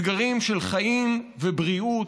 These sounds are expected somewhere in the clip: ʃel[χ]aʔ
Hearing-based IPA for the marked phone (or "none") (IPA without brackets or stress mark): χ